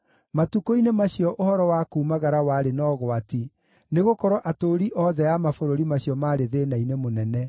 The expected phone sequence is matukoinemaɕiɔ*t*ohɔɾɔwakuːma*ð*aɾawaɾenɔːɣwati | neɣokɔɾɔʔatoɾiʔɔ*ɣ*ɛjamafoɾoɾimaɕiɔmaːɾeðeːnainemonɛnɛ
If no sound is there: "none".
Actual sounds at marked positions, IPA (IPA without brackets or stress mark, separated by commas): ʔ, ɣ, ð